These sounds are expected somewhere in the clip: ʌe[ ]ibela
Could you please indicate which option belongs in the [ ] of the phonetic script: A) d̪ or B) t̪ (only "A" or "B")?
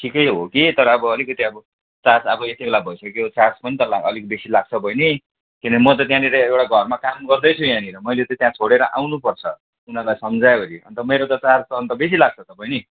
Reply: B